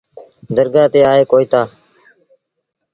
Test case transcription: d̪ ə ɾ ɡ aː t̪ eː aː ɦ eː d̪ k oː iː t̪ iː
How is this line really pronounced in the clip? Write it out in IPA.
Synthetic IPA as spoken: d̪ ə ɾ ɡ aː t̪ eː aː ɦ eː k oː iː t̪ aː

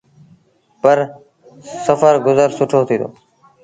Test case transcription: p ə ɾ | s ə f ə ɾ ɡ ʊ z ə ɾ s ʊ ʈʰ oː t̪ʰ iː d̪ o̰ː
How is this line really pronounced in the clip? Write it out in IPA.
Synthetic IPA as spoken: p ə ɾ | s ə f ə ɾ ɡ ʊ z ə ɾ s ʊ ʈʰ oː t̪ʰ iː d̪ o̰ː

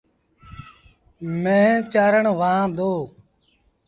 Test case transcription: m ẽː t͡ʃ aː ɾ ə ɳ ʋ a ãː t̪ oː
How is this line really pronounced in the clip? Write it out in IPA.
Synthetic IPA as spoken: m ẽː t͡ʃ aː ɾ ə ɳ ʋ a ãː d̪ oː

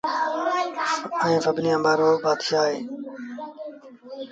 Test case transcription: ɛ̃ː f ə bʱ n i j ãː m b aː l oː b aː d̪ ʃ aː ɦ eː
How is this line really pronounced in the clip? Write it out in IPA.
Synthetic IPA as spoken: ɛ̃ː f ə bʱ n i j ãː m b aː ɾ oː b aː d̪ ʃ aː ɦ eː

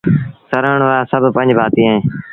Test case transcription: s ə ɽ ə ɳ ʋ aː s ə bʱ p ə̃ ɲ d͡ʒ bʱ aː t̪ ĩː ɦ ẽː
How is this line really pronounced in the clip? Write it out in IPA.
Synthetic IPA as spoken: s ə ɾ ə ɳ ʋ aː s ə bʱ p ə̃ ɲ d͡ʒ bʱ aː t̪ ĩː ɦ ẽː

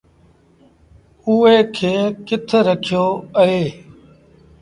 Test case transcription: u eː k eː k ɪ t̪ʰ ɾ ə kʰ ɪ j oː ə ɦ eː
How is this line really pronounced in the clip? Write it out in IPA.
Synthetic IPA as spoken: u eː kʰ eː k ɪ t̪ʰ ɾ ə kʰ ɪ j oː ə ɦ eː

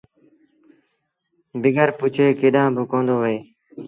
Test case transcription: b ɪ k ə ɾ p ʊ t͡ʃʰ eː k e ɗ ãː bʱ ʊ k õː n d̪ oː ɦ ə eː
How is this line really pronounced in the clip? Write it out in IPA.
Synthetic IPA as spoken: b ɪ ɡ ə ɾ p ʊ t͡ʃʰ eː k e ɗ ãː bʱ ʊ k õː n d̪ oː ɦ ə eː

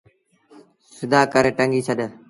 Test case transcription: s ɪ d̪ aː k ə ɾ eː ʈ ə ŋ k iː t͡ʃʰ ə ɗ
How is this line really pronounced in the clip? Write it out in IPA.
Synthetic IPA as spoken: s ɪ d̪ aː k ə ɾ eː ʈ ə ŋ ɡ iː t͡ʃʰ ə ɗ

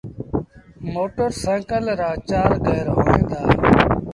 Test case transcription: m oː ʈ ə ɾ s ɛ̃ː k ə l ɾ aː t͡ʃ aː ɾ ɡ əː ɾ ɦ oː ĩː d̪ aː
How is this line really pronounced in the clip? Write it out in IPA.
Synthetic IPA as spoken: m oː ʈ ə ɾ s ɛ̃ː k ə l ɾ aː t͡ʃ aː ɾ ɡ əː ɾ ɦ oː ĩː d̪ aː

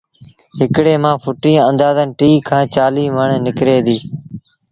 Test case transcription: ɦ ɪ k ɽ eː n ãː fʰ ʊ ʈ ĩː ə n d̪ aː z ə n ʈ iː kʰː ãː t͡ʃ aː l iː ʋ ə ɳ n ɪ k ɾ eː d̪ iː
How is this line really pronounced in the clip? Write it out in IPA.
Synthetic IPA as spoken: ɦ ɪ k ɽ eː m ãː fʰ ʊ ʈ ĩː ə n d̪ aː z ə n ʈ iː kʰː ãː t͡ʃ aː l iː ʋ ə ɳ n ɪ k ɾ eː d̪ iː

